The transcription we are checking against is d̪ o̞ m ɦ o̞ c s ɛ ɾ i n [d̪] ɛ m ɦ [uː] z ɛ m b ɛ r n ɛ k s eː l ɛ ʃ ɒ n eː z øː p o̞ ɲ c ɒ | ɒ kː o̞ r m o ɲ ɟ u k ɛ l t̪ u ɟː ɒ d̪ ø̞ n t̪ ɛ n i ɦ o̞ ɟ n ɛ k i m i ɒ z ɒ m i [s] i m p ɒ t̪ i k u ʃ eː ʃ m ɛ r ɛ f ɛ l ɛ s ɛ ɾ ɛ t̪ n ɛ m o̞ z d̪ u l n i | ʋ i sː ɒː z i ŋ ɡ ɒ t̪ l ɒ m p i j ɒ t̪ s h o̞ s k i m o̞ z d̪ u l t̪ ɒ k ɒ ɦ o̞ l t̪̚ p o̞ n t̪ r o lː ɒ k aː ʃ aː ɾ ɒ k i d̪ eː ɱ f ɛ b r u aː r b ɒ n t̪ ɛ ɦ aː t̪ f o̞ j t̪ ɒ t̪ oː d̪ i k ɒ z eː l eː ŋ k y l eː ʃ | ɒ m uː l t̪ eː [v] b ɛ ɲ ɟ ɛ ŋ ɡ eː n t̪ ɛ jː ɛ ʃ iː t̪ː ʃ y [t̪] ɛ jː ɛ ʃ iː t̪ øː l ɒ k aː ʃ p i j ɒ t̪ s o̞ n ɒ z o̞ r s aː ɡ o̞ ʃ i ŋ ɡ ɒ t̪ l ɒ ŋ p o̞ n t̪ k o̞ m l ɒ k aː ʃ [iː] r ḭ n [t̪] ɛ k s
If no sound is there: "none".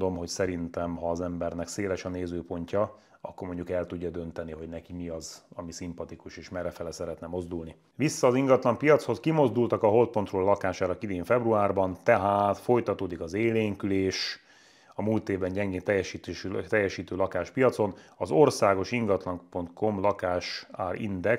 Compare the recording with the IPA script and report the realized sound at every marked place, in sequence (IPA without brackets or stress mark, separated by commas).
t̪, ɒː, s, v, t̪, aː, d̪